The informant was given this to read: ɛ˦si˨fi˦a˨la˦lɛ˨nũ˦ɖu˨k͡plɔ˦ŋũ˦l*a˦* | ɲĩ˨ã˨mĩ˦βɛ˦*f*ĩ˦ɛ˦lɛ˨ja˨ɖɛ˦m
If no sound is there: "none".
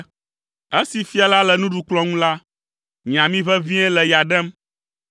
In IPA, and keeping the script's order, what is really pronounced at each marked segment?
a˦, v

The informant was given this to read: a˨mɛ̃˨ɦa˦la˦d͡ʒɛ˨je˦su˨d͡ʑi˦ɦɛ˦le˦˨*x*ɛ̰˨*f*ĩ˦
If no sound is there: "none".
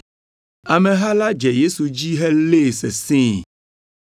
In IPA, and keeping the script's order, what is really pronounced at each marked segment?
s, s

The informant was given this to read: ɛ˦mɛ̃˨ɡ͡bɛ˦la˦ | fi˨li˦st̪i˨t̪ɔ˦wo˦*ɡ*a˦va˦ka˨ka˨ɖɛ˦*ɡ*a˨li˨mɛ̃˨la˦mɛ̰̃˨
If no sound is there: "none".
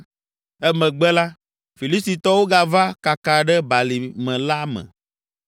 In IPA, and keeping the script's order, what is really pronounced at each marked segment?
ɡ, b

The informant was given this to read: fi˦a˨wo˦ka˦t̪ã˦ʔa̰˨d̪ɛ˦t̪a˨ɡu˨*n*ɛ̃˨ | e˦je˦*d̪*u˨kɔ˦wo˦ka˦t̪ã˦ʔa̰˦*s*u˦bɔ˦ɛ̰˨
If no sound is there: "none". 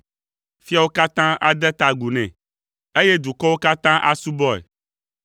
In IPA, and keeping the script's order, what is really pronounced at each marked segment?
n, d̪, s

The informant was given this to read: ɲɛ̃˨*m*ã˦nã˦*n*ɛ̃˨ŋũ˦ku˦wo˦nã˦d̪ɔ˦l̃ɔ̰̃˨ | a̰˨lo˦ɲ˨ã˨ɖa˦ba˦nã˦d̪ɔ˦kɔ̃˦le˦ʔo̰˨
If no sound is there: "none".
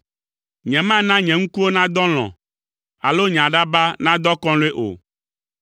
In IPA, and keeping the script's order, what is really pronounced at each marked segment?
m, ɲ

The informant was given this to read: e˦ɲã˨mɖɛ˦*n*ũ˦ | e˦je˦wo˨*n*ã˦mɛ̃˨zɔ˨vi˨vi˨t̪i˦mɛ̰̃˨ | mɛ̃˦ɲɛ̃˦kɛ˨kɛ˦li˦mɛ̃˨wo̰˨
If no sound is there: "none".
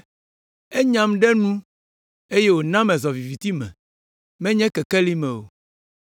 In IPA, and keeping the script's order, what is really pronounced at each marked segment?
n, n

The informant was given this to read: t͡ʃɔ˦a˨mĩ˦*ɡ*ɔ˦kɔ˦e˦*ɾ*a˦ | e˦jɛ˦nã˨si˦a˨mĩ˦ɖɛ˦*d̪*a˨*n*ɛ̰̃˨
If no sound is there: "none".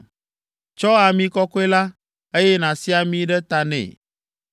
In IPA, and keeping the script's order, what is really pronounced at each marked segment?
k, l, t̪, n

